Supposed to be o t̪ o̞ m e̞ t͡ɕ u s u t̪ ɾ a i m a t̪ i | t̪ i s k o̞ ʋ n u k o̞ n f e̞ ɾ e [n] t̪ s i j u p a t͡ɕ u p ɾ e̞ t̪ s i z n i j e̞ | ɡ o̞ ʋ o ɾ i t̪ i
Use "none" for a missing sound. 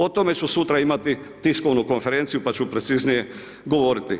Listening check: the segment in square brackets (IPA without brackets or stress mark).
n